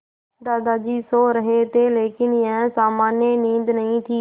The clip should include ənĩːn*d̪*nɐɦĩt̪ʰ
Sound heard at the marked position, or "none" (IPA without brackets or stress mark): d̪